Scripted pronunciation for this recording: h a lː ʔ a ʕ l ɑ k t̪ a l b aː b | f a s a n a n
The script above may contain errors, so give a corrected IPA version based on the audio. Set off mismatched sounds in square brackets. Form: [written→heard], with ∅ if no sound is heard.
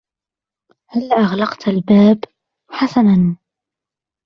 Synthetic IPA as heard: h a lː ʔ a [ʕ→ɣ] l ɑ [k→q] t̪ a l b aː b | [f→ħ] a s a n a n